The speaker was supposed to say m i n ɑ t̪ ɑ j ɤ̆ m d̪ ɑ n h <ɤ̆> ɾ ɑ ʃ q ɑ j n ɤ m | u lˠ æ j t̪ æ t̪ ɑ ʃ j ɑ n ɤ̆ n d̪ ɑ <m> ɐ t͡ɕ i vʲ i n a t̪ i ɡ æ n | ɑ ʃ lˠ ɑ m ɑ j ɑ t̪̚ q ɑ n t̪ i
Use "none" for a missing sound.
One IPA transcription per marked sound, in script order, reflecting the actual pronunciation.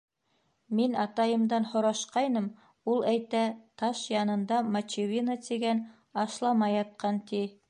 ŏ, m

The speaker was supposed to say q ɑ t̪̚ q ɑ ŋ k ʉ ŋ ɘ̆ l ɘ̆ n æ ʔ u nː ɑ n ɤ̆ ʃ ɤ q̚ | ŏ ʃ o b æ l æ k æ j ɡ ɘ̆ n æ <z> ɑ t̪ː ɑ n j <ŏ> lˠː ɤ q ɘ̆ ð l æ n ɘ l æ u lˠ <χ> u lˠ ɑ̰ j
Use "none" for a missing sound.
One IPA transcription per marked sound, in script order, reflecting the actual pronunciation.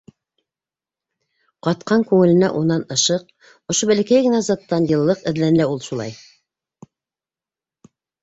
z, ɤ̆, ʃ

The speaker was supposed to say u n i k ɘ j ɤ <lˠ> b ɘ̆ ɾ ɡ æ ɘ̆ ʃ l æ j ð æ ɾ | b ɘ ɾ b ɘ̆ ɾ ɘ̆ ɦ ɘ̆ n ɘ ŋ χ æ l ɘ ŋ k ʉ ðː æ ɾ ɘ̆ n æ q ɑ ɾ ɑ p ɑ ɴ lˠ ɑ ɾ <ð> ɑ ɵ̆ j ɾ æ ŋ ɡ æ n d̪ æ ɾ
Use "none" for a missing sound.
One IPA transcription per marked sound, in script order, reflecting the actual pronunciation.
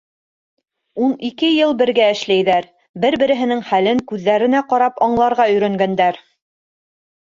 lˠ, ʁ

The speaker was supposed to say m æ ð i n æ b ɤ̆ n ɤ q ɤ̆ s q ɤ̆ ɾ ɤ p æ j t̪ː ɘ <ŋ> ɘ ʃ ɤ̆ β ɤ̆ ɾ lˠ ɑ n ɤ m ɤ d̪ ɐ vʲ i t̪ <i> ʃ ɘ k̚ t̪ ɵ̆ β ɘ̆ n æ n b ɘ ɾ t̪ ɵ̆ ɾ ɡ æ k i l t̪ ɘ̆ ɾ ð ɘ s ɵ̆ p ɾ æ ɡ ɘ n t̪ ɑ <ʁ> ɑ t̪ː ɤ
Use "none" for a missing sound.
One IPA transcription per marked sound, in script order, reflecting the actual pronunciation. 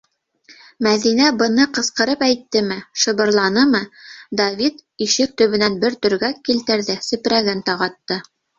m, i, ʁ

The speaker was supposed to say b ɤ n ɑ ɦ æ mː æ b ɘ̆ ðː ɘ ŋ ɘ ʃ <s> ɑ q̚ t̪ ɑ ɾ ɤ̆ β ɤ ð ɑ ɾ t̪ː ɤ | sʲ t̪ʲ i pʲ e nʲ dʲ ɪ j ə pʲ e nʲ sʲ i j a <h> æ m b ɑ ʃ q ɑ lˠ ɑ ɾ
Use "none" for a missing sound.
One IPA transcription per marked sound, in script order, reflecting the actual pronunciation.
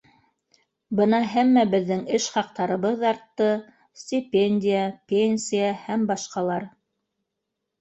χ, h

